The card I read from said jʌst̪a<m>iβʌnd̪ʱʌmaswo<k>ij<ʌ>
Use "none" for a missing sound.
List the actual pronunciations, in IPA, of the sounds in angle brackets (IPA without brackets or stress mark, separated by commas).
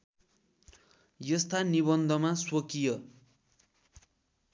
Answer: n, k, ʌ